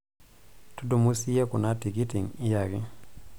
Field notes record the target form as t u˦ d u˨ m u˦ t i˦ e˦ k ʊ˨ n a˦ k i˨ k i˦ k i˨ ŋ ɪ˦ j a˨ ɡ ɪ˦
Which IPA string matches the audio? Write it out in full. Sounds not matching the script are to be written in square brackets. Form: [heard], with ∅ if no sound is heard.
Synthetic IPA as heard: t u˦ d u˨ m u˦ [s] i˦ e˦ k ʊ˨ n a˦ [t] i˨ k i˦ [t] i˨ ŋ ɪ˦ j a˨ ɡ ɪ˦